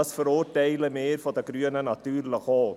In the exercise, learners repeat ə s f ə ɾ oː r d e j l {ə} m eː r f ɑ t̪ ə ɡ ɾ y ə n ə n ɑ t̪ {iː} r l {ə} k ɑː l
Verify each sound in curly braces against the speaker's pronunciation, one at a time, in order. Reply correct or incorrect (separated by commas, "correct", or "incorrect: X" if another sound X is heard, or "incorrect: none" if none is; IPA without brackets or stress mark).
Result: correct, incorrect: yː, correct